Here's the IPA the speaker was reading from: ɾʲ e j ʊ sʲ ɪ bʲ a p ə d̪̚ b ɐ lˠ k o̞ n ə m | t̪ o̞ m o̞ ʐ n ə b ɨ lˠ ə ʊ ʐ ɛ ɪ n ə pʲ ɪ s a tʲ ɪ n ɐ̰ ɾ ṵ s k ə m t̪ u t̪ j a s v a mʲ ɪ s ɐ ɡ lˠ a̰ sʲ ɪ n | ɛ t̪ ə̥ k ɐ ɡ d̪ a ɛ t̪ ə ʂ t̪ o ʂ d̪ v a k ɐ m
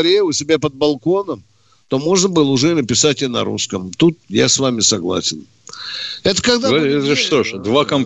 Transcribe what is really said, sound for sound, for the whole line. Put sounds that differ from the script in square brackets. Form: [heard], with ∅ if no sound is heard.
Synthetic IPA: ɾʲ e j ʊ sʲ ɪ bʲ a p ə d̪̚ b ɐ lˠ k o̞ n ə m | t̪ o̞ m o̞ ʐ n ə b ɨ lˠ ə ʊ ʐ ɛ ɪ n ə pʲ ɪ s a tʲ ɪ n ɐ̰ ɾ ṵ s k ə m t̪ u t̪ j a s v a mʲ ɪ s ɐ ɡ lˠ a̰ sʲ ɪ n | ɛ t̪ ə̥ k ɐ ɡ d̪ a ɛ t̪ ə ʂ t̪ o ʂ d̪ v a k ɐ m